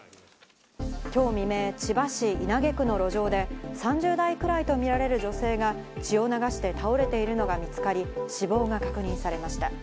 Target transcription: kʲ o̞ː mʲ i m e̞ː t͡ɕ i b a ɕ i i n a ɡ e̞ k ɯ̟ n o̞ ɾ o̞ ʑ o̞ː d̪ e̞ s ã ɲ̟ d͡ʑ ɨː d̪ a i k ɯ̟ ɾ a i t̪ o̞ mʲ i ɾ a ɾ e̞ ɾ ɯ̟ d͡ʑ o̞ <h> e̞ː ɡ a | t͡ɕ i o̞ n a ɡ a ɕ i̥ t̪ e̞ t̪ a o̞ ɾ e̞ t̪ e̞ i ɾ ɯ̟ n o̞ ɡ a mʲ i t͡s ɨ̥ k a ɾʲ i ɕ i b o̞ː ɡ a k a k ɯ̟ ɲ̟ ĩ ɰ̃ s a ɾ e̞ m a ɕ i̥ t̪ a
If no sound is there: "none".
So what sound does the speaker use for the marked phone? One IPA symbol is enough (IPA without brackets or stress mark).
s